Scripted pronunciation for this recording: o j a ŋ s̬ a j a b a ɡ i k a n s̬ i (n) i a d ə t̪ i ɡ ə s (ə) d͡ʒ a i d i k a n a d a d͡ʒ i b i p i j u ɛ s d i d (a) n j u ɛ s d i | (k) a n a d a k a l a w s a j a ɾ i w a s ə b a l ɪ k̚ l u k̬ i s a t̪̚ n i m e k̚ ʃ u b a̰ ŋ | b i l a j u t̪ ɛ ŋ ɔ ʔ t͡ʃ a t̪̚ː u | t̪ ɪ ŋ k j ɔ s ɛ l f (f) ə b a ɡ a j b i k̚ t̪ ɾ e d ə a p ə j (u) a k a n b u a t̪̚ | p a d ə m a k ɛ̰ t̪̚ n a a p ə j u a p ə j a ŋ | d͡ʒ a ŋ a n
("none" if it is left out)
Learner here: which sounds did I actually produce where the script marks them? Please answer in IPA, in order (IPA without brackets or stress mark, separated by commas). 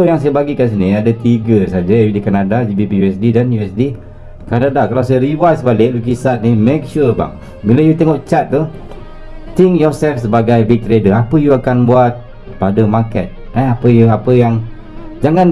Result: n, a, a, k, s, u